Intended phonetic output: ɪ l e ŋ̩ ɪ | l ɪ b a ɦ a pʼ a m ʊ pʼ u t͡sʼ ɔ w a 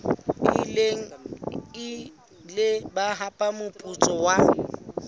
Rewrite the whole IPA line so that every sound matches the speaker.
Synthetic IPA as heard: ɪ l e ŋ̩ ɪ | l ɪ b a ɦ a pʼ a m ʊ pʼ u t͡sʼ ɔ w a

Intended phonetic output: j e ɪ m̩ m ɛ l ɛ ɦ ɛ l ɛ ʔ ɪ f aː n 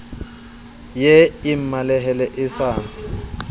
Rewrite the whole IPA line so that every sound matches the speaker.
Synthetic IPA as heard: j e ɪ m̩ m a l ɛ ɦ ɛ l ɛ ʔ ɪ s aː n

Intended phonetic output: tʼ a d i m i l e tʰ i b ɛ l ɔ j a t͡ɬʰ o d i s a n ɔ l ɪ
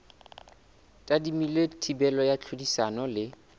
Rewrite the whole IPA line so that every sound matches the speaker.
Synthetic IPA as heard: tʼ a d i m i l e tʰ i b ɛ l ɔ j a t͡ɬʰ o d i s a n ɔ l ɪ

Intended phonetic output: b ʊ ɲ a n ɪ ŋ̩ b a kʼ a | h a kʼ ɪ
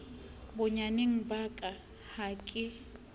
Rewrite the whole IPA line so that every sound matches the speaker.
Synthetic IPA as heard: b ʊ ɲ a n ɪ ŋ̩ b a kʼ a | h a kʼ ɪ

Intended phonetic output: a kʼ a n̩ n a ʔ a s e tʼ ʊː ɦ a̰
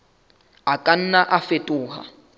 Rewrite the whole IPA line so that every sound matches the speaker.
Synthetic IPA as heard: a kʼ a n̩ n a ʔ a f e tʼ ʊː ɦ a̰

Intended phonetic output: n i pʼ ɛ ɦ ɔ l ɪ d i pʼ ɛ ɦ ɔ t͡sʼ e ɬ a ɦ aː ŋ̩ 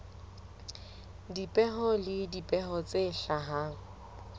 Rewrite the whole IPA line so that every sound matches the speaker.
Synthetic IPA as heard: d i pʼ ɛ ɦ ɔ l ɪ d i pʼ ɛ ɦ ɔ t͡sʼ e ɬ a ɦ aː ŋ̩

